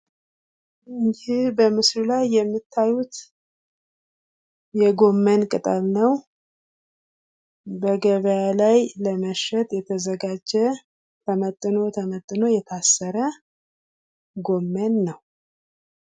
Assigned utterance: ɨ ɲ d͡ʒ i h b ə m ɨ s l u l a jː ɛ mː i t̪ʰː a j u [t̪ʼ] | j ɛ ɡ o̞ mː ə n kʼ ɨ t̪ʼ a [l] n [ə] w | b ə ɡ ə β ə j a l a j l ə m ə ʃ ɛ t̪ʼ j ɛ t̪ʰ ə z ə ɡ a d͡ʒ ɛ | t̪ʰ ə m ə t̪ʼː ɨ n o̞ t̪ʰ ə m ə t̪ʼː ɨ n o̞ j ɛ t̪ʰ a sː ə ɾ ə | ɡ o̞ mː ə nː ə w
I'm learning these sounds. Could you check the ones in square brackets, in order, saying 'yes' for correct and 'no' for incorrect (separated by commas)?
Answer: no, yes, yes